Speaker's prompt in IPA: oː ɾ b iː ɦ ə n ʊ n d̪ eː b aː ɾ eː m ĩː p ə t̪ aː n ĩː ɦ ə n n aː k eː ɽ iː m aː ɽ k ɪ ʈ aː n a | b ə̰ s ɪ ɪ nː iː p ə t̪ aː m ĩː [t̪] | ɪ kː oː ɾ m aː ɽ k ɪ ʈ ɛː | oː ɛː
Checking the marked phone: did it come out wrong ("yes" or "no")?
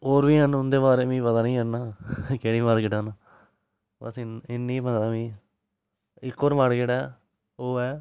yes